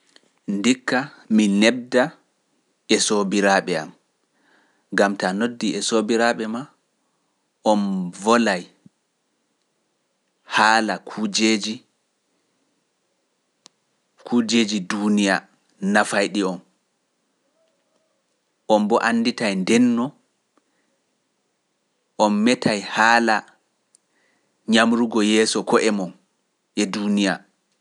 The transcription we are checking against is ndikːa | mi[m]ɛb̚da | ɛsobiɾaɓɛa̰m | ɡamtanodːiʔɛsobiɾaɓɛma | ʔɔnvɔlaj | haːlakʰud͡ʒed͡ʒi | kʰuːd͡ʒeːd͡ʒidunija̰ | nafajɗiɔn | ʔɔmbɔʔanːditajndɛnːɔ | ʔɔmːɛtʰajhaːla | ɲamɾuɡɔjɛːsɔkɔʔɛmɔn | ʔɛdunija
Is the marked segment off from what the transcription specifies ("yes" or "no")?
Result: yes